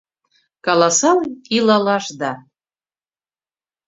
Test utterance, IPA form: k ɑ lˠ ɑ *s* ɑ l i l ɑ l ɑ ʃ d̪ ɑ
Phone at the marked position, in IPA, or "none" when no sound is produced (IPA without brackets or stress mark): s